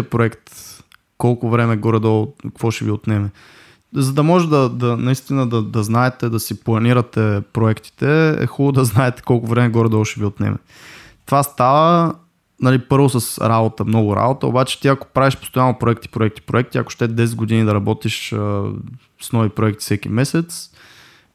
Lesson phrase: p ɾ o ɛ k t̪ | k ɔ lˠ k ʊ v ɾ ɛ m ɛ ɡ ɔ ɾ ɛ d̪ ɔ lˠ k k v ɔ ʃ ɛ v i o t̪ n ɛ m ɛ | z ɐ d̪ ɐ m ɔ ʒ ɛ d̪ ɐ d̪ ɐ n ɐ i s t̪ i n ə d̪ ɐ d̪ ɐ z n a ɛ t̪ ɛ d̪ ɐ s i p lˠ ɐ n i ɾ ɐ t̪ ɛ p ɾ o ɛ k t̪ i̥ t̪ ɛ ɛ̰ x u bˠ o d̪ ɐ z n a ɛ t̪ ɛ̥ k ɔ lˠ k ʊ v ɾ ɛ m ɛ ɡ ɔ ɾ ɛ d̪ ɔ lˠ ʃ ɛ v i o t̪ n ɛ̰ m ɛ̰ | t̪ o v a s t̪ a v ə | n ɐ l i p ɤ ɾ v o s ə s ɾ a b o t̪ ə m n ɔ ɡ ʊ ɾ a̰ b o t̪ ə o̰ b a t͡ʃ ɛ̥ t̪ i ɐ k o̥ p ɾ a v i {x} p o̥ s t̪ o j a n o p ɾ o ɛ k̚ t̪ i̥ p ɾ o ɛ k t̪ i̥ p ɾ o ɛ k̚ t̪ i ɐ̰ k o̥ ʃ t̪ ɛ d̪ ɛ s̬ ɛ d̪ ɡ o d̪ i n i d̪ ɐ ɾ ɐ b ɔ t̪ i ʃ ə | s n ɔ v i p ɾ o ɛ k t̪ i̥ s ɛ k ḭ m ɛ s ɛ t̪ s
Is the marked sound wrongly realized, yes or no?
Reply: yes